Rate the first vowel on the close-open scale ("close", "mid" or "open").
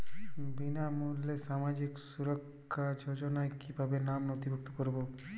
close